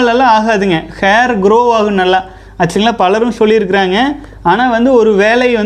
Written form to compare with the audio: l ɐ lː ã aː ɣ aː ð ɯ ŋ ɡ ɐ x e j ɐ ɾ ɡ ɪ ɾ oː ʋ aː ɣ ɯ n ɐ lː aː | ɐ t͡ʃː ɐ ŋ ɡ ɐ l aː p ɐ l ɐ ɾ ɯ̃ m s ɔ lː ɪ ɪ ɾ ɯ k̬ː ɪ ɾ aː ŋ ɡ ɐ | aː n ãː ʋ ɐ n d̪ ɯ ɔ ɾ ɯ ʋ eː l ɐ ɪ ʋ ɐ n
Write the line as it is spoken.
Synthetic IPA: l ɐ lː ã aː ɣ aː ð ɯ ŋ ɡ ɐ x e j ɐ ɾ ɡ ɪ ɾ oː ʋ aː ɣ ɯ n ɐ lː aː | ɐ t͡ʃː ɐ ŋ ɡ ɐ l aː p ɐ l ɐ ɾ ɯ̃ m s ɔ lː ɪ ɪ ɾ ɯ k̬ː ɪ ɾ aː ŋ ɡ ɐ | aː n aː ʋ ɐ n d̪ ɯ ɔ ɾ ɯ ʋ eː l ɐ ɪ ʋ ɐ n